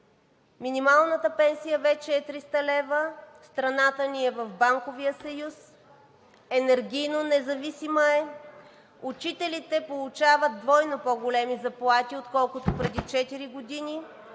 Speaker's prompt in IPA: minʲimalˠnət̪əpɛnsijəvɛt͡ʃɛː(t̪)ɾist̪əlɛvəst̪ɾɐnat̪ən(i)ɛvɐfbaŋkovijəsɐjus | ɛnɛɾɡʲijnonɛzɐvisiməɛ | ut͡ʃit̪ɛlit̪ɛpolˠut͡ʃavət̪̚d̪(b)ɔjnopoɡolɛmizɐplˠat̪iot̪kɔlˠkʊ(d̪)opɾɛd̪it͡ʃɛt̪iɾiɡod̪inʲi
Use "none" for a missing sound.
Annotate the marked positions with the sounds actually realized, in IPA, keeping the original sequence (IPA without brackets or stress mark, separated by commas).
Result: t̪, i, v, t̪